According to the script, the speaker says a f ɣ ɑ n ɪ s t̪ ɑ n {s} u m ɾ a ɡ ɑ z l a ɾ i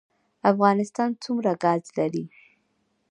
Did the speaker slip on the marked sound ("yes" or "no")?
yes